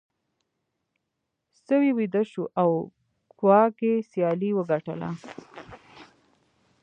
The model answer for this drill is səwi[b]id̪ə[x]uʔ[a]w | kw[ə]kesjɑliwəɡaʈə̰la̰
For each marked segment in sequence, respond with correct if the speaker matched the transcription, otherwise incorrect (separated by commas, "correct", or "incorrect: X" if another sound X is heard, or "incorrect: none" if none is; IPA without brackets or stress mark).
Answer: incorrect: w, incorrect: ʃ, correct, incorrect: ɑ